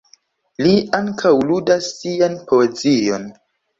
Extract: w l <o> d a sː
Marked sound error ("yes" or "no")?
yes